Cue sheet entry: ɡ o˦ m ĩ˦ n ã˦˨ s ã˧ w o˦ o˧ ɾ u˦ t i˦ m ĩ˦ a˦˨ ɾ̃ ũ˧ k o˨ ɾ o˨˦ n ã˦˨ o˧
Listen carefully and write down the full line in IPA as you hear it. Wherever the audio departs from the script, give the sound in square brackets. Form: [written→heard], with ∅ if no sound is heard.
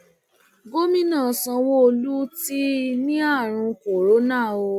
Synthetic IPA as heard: ɡ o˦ m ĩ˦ n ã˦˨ s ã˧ w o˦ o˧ [ɾ→l] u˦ t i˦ [m→n] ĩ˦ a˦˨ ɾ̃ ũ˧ k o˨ ɾ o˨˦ n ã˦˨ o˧